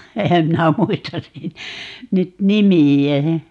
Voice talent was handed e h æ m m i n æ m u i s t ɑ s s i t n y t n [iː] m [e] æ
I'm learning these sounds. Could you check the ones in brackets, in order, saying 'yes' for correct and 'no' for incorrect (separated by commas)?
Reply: no, no